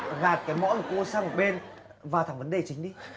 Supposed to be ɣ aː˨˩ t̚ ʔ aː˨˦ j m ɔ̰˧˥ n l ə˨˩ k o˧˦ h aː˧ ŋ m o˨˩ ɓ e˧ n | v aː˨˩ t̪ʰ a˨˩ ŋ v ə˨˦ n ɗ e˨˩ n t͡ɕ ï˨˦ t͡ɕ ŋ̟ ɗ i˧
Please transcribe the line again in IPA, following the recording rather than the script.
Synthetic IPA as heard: ɣ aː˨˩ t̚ k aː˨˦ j m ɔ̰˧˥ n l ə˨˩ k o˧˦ s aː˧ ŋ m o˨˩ ɓ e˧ n | v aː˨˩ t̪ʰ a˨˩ ŋ v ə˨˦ n ɗ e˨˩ t͡ɕ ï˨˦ ŋ̟ ɗ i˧